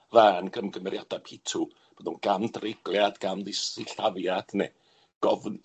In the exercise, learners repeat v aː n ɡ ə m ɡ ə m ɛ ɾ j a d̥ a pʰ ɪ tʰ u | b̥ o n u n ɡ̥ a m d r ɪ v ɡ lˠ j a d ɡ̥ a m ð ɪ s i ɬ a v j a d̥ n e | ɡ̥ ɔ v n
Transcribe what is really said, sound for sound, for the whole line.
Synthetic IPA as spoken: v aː n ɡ ə m ɡ ə m ɛ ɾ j a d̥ a pʰ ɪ tʰ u | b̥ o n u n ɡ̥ a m d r ɪ ɡ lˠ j a d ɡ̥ a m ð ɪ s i ɬ a v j a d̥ n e | ɡ̥ ɔ v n

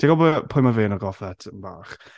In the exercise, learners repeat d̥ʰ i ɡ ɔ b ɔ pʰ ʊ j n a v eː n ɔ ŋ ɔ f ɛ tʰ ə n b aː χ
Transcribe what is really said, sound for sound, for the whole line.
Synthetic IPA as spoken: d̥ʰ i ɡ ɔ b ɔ pʰ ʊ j m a v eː n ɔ ɡ ɔ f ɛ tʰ ə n b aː χ

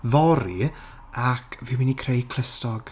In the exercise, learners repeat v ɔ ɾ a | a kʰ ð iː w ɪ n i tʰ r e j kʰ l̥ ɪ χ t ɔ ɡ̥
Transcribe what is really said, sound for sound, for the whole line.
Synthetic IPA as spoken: v ɔ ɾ i | a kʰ v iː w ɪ n i kʰ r e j kʰ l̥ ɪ s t ɔ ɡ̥

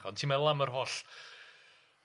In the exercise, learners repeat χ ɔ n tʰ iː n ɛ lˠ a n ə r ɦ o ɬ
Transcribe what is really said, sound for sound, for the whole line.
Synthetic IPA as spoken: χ ɔ n tʰ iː m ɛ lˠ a m ə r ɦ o ɬ

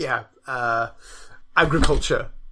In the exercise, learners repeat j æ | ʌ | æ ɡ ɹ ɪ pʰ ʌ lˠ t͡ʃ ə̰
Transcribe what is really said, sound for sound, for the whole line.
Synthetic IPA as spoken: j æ | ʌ | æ ɡ ɹ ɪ kʰ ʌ lˠ t͡ʃ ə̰

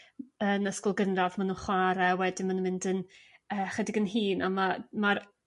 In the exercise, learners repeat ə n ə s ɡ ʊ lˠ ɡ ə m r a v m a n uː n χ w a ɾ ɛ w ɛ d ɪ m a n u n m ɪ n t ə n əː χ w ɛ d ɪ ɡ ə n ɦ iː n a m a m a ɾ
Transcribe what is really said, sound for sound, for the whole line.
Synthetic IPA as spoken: ə n ə s k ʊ lˠ ɡ ə n r a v m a n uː n χ w a ɾ ɛ w ɛ d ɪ m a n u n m ɪ n d ə n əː χ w ɛ d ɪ ɡ ə n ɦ iː n a m a m a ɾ

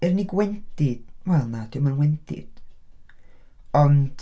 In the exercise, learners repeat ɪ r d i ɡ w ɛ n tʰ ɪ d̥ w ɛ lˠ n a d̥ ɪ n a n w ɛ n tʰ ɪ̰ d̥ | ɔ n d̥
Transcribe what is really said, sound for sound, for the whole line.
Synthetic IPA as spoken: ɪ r n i ɡ w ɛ n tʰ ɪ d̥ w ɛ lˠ n a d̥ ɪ m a n w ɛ n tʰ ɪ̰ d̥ | ɔ n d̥

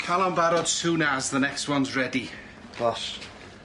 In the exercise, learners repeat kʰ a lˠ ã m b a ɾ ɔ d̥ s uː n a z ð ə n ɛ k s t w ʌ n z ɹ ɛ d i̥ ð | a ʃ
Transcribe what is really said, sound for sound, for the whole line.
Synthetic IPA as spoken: kʰ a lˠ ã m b a ɾ ɔ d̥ s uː n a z ð ə n ɛ k s t w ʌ n z ɹ ɛ d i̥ | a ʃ

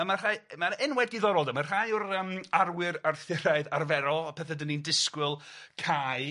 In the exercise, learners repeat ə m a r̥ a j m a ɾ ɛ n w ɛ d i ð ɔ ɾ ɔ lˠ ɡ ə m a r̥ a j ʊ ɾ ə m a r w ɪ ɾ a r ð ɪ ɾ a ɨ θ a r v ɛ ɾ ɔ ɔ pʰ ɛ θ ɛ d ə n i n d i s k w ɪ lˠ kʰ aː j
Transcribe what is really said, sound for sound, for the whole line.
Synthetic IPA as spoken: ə m a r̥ a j m a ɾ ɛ n w ɛ d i ð ɔ ɾ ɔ lˠ d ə m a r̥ a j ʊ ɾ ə m a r w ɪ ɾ a r θ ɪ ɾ a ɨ ð a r v ɛ ɾ ɔ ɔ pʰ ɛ θ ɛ d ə n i n d ɪ s k w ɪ lˠ kʰ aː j

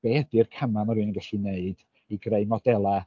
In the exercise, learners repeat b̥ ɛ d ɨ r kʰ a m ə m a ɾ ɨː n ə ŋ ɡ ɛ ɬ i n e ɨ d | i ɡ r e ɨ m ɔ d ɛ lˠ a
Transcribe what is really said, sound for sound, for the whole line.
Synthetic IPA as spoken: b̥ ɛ d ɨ r kʰ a m a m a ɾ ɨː n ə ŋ ɡ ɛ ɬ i n e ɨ d | i ɡ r e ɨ m ɔ d ɛ lˠ a

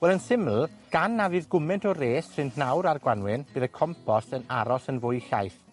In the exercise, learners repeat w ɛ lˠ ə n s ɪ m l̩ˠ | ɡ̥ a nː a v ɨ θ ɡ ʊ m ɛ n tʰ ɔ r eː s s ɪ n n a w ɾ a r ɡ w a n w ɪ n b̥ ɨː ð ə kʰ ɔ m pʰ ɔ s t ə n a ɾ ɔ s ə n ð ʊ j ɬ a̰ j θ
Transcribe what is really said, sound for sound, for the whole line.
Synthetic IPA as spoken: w ɛ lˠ ə n s ɪ m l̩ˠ | ɡ̥ a nː a v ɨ ð ɡ ʊ m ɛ n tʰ ɔ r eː s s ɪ n n a w ɾ a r ɡ w a n w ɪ n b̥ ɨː ð ə kʰ ɔ m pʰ ɔ s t ə n a ɾ ɔ s ə n v ʊ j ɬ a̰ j θ

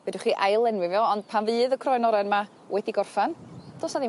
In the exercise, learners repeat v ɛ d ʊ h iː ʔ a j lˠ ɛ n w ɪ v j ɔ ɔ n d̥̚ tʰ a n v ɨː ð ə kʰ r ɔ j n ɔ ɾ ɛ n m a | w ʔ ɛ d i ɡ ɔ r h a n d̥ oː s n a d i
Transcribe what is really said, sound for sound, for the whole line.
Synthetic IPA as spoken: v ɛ d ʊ χ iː ʔ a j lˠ ɛ n w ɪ v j ɔ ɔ n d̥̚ pʰ a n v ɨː ð ə kʰ r ɔ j n ɔ ɾ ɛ n m a | w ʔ ɛ d i ɡ ɔ r f a n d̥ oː s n a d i

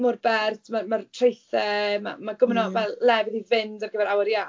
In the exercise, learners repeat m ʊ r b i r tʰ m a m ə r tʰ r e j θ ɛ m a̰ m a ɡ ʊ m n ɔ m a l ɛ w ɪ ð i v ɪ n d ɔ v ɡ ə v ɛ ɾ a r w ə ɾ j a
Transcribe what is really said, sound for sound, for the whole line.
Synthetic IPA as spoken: m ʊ r b ɛ r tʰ m a m a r tʰ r e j θ ɛ m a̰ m a ɡ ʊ m n ɔ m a l ɛ v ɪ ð i v ɪ n d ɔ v ɡ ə v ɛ ɾ a w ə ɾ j a

